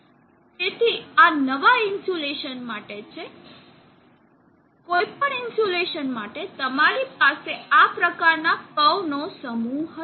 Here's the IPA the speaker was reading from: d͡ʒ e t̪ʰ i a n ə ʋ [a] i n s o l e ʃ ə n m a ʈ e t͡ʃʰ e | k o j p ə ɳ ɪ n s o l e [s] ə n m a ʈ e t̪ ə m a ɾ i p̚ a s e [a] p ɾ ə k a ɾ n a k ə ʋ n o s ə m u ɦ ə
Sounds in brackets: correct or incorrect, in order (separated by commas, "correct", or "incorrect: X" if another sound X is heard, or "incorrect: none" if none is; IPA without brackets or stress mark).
correct, incorrect: ʃ, correct